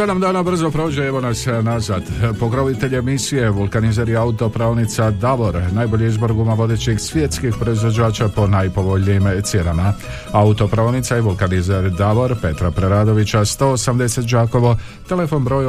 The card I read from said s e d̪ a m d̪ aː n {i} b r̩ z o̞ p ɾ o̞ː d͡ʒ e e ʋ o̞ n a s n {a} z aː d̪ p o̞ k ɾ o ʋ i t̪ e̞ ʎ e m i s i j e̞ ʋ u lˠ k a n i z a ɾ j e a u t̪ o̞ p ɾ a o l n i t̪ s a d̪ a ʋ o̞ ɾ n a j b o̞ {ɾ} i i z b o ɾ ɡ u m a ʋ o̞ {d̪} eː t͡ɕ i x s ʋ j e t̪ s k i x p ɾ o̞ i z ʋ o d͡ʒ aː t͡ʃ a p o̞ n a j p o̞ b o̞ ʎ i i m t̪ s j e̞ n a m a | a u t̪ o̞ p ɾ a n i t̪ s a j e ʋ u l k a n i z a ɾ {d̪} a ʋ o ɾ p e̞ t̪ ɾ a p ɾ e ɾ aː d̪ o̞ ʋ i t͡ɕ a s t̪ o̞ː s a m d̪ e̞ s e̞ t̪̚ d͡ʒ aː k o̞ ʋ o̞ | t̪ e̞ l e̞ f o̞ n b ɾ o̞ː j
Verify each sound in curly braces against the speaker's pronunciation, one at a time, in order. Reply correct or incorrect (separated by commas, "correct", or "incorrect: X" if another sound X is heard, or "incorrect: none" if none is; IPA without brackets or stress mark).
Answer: incorrect: a, correct, incorrect: ʎ, correct, correct